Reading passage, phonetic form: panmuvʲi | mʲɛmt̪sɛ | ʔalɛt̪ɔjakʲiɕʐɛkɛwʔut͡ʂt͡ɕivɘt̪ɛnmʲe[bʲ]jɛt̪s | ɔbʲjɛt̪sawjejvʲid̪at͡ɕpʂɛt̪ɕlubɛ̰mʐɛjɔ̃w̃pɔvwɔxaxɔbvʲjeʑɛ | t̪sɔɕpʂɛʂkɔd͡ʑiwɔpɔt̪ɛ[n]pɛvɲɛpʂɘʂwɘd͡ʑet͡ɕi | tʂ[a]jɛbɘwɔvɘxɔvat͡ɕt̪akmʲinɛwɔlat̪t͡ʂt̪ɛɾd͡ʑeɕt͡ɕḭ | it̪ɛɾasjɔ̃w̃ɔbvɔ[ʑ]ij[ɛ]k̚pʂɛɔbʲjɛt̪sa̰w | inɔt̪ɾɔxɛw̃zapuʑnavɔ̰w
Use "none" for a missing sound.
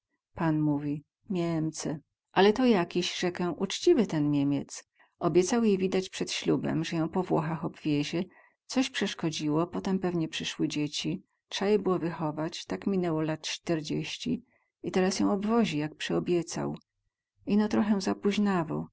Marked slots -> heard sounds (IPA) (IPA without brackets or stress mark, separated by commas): mʲ, m, a, ʑ, a